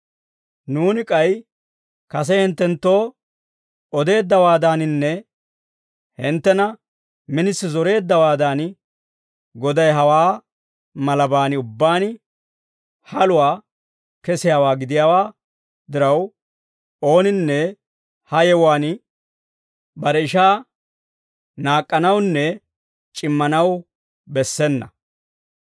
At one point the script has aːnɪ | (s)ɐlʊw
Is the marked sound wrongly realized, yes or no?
yes